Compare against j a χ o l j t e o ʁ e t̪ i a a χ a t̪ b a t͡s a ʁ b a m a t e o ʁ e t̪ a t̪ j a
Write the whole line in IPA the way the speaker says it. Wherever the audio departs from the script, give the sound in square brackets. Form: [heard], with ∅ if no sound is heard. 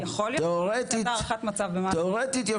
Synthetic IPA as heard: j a χ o l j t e o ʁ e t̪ i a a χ a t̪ [m] a t͡s a [v] b [e] m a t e o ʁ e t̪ [i] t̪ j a